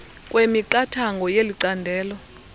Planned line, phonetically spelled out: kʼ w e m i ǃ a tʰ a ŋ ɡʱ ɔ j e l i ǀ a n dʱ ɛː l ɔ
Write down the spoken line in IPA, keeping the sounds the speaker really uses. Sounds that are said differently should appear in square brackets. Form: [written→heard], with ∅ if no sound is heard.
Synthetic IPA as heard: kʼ w e m i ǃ a tʰ a ŋ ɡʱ ɔ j e l i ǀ a n dʱ ɛː l ɔ